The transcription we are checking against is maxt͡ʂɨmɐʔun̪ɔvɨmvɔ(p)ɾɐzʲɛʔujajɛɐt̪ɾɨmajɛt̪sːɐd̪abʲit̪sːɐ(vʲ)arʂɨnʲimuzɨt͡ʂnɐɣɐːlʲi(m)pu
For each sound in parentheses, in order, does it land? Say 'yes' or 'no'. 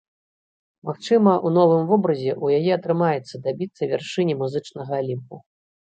no, yes, yes

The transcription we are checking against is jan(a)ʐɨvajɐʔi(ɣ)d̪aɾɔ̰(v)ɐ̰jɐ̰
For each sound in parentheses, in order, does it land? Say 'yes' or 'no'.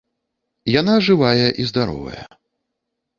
yes, no, yes

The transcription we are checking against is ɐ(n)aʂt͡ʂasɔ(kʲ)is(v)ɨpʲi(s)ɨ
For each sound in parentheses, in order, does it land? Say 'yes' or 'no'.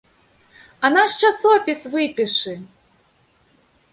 yes, no, yes, no

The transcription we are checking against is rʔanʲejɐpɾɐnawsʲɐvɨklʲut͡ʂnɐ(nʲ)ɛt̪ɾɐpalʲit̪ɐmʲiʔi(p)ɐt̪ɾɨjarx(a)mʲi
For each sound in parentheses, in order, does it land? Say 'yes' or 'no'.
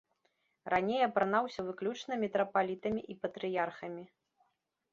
no, yes, no

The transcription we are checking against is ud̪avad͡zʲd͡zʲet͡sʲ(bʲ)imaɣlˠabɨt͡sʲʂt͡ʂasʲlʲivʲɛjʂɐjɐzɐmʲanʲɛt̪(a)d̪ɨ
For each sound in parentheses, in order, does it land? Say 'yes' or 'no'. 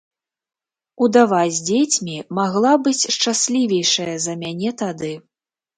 no, yes

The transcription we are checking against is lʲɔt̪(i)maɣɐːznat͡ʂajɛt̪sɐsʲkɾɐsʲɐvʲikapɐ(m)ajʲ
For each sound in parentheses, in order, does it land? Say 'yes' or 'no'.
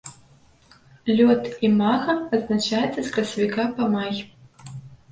yes, yes

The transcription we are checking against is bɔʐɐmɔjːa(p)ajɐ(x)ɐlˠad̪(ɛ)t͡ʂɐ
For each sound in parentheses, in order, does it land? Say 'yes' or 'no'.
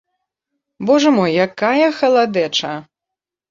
no, yes, yes

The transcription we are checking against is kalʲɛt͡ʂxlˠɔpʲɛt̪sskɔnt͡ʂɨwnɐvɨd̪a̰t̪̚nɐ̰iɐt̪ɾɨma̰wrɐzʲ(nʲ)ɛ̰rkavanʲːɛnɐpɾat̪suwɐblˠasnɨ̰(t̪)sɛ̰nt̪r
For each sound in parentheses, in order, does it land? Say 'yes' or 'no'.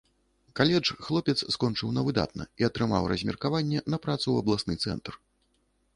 no, yes

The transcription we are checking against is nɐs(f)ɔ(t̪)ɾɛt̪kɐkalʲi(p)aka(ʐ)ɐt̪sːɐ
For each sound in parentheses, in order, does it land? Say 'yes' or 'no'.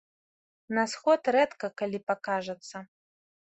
no, yes, yes, yes

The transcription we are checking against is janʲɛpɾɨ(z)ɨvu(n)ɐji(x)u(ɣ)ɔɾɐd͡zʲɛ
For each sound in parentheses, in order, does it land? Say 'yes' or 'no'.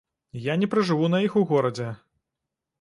no, yes, yes, yes

